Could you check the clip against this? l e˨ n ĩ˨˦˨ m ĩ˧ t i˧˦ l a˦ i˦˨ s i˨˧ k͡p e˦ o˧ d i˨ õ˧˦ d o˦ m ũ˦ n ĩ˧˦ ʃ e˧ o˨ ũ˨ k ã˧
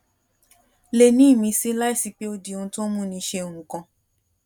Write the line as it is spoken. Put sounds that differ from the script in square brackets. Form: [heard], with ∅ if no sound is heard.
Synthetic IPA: l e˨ n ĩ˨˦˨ m ĩ˧ [s] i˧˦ l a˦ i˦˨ s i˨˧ k͡p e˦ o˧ d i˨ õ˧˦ [t] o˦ m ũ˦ n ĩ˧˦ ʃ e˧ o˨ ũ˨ k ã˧